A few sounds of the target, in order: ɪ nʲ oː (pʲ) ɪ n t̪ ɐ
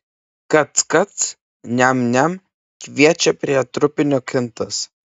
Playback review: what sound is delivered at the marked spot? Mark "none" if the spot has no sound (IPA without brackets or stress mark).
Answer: kʲ